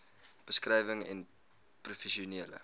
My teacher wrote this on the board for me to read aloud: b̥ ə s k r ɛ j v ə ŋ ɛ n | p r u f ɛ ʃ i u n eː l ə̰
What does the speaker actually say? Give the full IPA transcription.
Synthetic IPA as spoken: b̥ ə s k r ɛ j v ə ŋ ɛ n | p r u f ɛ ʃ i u n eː l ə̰